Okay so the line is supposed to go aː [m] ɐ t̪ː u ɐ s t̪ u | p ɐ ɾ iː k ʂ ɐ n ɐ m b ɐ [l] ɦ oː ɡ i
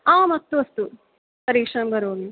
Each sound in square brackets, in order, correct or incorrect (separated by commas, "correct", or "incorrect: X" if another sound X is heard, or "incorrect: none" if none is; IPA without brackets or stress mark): correct, incorrect: ɾ